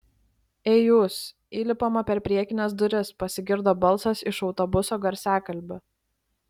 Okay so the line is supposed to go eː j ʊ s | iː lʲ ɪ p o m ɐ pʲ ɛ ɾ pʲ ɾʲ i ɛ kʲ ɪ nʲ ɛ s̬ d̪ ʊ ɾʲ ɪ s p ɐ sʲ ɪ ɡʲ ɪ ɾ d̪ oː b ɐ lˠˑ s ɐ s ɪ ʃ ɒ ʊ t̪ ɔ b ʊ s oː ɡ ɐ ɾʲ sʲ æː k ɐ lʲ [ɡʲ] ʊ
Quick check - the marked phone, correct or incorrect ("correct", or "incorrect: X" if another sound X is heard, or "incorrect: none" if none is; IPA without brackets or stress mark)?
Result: incorrect: bʲ